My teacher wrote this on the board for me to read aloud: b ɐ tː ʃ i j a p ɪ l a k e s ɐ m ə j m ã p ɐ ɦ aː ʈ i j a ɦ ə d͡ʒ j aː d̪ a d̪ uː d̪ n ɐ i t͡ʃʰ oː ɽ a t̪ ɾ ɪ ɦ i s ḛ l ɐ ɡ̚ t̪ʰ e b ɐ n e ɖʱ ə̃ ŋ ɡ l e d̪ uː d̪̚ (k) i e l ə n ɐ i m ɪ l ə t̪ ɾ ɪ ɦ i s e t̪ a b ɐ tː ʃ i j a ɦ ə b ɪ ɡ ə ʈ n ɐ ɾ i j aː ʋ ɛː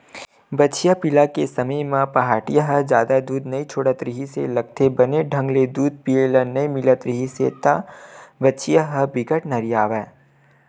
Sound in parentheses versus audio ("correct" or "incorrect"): incorrect